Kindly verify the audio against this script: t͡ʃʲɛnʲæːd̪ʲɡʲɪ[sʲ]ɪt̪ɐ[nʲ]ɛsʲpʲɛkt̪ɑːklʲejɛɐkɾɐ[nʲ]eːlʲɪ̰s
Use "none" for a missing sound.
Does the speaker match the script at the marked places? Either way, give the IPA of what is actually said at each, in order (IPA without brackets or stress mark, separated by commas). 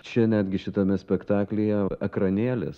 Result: ʃʲ, mʲ, nʲ